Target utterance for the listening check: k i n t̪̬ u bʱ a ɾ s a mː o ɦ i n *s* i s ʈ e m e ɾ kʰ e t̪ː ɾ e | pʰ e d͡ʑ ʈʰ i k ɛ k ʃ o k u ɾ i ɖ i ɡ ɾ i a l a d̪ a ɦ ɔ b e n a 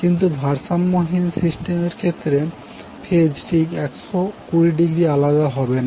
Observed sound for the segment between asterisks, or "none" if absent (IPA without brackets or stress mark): s